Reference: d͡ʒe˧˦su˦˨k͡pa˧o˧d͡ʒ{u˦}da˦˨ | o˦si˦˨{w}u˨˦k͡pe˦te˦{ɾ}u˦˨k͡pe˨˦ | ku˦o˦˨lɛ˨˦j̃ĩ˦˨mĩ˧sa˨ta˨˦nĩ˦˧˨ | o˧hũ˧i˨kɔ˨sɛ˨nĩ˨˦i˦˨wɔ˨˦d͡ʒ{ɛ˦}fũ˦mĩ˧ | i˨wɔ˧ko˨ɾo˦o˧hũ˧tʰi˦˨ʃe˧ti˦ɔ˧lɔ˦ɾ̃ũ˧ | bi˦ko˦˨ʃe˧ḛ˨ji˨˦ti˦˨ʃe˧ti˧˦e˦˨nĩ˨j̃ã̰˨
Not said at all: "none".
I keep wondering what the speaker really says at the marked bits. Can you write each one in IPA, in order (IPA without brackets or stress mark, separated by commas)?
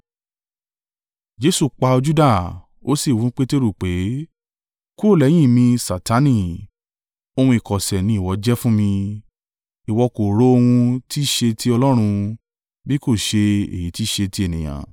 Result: u˦, w, ɾ, ɛ˦